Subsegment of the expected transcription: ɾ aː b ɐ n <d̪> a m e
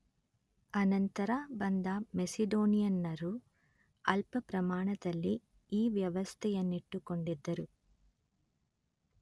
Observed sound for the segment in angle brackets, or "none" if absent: d̪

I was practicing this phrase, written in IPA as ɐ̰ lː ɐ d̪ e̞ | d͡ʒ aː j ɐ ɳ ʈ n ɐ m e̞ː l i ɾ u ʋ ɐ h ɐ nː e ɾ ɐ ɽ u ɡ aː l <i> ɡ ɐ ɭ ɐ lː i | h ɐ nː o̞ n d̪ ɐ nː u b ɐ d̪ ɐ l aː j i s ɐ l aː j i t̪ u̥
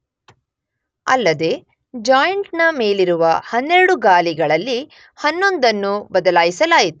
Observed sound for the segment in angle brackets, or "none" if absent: i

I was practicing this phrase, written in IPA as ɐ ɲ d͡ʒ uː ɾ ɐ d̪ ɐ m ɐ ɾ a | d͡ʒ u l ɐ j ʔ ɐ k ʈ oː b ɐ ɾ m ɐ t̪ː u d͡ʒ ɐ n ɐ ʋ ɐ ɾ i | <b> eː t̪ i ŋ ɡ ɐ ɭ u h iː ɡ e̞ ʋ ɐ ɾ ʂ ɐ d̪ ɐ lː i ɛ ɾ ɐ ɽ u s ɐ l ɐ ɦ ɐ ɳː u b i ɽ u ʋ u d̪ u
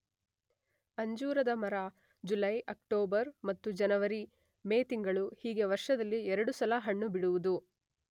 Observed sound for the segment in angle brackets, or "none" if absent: m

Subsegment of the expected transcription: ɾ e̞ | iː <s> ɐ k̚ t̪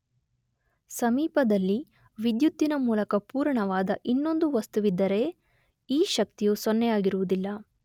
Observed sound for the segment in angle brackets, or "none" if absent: ʃ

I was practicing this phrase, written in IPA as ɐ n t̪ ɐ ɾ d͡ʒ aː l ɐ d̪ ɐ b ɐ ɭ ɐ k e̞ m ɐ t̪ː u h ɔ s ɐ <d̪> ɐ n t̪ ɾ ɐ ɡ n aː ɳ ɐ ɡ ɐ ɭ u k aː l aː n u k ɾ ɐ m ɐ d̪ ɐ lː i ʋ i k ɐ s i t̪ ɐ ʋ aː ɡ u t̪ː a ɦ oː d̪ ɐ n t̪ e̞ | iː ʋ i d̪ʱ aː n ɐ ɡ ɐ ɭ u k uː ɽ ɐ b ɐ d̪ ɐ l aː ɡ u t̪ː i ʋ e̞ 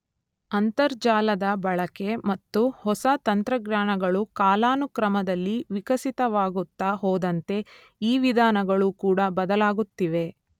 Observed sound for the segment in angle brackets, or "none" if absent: t̪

